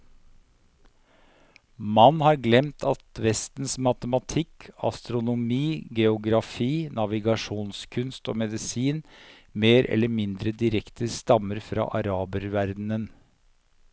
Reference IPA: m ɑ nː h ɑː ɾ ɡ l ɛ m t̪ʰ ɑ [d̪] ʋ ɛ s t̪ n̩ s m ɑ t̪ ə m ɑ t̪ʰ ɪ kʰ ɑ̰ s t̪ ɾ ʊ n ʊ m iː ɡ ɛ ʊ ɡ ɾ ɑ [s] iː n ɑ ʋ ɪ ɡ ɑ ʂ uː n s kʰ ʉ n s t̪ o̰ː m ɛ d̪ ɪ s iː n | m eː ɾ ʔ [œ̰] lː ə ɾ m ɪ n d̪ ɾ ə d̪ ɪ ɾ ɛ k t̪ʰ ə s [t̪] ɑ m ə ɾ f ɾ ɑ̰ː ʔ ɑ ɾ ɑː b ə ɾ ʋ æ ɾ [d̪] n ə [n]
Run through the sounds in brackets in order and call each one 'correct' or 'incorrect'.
incorrect, incorrect, incorrect, correct, correct, correct

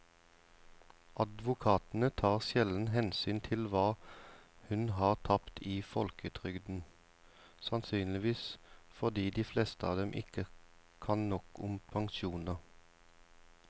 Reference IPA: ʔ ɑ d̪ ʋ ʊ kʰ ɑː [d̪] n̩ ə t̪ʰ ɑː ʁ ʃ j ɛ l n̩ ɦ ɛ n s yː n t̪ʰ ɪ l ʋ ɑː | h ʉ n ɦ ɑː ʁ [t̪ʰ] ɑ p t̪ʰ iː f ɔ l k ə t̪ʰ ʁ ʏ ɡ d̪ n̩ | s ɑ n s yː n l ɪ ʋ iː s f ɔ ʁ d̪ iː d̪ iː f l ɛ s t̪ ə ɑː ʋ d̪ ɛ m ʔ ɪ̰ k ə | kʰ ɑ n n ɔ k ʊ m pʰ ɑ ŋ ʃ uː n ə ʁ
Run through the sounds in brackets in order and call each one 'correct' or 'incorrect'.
incorrect, correct

